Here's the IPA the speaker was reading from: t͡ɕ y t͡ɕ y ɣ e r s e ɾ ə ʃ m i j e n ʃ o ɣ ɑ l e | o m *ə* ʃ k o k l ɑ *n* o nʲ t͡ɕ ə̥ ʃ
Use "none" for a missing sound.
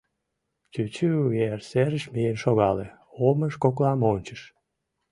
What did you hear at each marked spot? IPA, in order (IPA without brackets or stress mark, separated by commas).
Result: ə, m